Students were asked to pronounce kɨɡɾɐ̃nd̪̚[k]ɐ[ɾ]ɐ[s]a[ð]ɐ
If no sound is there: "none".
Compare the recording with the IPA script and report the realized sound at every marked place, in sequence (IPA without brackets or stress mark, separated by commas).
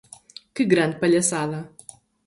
p, ʎ, s, ð